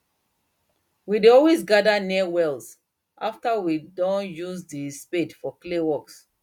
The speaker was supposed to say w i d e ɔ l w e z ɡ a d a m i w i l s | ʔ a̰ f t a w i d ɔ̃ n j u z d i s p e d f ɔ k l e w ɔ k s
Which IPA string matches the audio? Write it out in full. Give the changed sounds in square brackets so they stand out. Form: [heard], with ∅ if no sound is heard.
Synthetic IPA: w i d e ɔ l w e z ɡ a d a [n] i w [ɛ] l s | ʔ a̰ f t a w i d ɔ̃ n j u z d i s p e d f ɔ k l e w ɔ k s